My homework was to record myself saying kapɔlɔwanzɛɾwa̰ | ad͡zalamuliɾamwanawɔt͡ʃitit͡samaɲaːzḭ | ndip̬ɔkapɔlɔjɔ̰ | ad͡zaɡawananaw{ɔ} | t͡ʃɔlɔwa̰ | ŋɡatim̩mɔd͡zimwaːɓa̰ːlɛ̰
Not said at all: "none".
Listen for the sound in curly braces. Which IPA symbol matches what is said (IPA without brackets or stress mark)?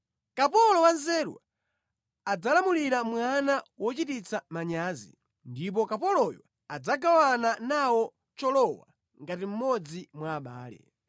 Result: ɔ